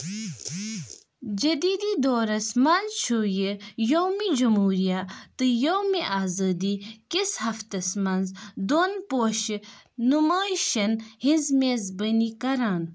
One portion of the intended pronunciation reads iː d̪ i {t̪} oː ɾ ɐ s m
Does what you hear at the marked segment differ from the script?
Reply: yes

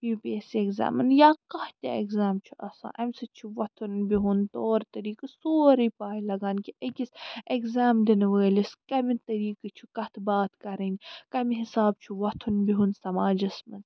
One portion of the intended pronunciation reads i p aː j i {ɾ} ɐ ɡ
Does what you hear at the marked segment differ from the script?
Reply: yes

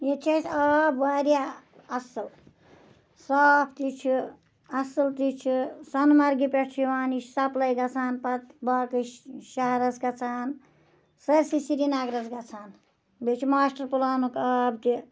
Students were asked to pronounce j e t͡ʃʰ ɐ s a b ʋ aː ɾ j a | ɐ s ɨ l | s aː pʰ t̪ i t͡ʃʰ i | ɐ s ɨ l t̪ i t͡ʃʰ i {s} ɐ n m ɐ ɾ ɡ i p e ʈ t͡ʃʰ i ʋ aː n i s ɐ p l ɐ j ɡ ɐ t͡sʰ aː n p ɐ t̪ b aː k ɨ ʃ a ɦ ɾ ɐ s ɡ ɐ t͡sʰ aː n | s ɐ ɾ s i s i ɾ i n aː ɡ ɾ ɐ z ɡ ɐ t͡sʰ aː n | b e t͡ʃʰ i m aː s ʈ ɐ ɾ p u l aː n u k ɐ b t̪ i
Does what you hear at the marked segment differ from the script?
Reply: no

